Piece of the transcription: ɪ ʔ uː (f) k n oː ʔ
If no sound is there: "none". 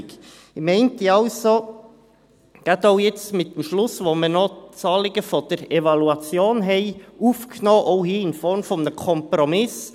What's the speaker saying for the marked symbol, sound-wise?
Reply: f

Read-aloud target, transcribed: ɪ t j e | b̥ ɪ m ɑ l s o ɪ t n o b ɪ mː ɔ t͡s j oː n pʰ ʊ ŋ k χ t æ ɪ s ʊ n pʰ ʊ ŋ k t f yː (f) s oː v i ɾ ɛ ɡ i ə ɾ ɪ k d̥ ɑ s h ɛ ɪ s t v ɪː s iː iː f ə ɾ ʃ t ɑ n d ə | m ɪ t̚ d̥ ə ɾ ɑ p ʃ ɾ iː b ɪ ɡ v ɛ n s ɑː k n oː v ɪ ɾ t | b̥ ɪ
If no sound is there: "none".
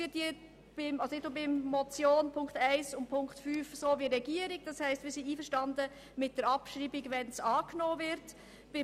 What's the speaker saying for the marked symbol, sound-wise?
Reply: f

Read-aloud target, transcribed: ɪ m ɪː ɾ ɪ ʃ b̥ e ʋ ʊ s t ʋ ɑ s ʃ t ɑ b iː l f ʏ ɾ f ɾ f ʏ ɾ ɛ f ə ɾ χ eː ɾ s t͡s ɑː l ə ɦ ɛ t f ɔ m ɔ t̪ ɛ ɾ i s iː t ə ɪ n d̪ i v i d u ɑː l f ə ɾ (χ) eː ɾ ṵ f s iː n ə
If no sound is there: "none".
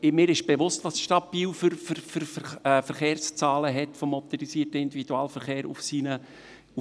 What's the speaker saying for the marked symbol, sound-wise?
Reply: χ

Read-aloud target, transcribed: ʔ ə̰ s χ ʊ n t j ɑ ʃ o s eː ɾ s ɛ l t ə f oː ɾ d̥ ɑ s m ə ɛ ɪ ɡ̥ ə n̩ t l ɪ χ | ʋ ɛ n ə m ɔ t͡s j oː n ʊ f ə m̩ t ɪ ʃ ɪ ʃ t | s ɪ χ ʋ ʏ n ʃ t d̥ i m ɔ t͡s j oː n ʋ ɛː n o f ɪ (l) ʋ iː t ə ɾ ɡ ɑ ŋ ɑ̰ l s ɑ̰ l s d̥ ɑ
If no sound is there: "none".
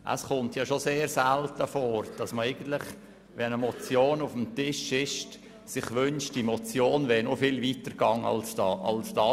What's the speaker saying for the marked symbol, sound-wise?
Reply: l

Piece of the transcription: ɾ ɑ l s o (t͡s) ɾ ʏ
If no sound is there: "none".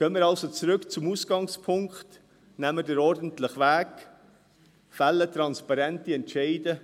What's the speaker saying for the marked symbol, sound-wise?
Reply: t͡s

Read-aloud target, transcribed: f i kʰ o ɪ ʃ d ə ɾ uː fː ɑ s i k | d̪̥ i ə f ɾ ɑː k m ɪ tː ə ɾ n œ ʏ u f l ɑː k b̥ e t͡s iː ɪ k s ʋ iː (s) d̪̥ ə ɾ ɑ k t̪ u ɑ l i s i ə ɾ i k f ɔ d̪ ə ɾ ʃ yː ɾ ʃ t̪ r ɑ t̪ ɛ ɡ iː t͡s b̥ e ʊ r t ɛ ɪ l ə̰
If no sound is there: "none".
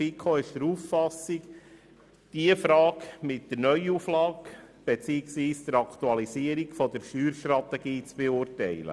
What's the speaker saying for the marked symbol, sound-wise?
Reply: s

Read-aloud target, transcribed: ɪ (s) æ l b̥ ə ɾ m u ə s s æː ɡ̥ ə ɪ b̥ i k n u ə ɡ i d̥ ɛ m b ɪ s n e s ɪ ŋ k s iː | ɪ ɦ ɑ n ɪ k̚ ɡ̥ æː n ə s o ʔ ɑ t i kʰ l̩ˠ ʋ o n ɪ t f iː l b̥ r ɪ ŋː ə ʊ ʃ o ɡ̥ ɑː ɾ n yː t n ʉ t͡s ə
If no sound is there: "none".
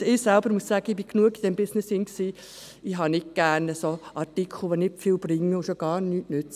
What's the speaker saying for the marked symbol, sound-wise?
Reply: s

